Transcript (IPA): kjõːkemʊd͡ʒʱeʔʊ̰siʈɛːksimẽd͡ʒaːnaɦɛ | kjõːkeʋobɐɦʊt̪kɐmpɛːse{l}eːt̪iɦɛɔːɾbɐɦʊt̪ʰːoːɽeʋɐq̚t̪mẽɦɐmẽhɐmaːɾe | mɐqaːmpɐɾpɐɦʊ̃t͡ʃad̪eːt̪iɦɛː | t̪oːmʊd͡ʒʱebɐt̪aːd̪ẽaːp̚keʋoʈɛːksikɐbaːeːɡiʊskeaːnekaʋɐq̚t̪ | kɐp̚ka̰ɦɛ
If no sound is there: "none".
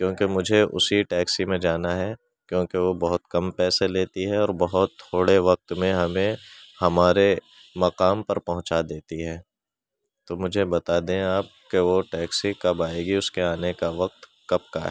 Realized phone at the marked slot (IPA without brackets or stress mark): l